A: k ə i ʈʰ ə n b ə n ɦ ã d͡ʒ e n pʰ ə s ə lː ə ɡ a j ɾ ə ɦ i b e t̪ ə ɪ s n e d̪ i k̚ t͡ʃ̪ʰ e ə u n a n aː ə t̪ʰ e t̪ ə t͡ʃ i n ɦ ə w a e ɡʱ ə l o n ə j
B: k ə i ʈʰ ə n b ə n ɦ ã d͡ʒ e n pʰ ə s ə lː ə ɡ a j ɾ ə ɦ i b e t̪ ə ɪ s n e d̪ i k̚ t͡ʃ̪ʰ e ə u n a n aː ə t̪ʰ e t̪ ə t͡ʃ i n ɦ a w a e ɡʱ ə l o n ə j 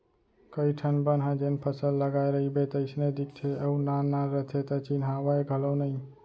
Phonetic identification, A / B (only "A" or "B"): B